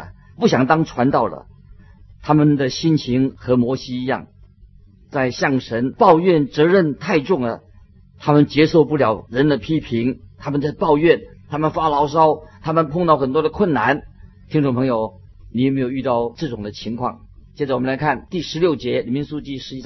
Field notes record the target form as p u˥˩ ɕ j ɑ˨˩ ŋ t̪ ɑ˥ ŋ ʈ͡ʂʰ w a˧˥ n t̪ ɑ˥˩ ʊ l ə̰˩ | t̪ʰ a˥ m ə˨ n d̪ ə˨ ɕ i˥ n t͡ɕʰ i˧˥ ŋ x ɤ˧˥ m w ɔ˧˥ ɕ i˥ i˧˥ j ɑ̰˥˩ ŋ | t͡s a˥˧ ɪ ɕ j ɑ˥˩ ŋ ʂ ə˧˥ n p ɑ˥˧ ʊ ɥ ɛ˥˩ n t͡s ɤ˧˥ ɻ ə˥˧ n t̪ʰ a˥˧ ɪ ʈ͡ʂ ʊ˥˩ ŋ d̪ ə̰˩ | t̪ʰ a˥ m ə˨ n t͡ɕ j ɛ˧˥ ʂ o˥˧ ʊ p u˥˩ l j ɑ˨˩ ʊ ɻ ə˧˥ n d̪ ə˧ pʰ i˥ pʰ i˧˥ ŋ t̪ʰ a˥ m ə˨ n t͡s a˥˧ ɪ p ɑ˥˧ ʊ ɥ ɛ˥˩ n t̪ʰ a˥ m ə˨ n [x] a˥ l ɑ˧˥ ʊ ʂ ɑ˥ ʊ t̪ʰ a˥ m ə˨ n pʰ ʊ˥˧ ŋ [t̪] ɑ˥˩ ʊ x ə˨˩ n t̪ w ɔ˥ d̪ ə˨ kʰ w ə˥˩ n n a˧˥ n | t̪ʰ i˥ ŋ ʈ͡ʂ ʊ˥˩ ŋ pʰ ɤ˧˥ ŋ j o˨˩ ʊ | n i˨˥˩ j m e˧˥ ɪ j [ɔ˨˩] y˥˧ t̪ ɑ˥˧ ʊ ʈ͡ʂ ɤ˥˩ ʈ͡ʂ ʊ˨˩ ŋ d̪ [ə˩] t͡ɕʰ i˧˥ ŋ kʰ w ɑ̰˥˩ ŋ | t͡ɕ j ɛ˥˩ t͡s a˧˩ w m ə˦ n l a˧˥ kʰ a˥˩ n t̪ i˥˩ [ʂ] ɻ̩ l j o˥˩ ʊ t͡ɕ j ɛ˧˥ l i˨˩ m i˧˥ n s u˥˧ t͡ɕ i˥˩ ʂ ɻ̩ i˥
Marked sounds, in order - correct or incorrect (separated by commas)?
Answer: incorrect, correct, incorrect, incorrect, correct